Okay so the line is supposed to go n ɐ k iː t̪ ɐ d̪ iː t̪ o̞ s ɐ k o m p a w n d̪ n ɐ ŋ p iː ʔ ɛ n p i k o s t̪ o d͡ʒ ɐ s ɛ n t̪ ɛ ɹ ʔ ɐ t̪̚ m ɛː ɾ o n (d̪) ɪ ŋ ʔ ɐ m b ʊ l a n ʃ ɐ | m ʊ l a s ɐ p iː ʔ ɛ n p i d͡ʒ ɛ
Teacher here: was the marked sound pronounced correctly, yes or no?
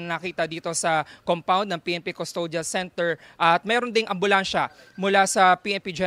yes